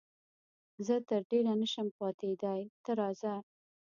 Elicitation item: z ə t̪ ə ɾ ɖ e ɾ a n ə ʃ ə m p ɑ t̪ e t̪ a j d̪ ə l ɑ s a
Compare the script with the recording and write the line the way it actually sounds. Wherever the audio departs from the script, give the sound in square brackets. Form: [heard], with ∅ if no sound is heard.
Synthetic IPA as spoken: z ə t̪ ə ɾ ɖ e ɾ a n ə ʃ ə m p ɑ t̪ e [d̪] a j [t̪] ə [ɾ] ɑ [z] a